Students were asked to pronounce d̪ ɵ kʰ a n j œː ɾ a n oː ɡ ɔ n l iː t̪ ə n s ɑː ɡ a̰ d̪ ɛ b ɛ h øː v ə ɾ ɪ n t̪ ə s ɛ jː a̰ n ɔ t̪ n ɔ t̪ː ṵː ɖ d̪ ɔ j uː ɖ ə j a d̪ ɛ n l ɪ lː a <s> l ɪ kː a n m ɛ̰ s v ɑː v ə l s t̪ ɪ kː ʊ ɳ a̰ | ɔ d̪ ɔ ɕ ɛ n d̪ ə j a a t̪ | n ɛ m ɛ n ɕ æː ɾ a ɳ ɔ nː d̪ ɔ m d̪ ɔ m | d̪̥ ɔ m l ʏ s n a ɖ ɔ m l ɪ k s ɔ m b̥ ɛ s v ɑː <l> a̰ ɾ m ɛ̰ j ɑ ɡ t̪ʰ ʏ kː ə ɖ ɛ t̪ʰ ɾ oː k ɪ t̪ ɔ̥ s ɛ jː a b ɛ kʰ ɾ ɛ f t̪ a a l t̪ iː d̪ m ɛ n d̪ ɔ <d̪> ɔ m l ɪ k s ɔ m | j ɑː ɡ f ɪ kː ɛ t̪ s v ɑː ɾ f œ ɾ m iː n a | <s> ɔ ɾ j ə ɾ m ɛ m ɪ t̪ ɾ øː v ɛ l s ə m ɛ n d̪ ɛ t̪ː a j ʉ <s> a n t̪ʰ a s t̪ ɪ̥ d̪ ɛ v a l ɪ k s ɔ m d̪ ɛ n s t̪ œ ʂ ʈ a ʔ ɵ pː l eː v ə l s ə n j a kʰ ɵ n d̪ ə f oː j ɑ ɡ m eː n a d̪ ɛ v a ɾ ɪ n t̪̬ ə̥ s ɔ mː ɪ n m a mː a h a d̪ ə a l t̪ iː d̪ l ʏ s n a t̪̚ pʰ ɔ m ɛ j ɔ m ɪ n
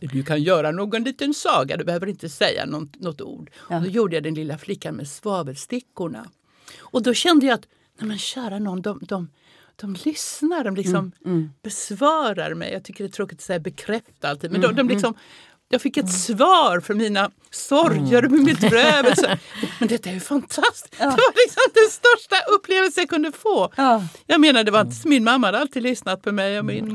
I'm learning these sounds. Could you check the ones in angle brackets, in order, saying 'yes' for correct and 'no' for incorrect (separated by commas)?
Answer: no, no, yes, yes, no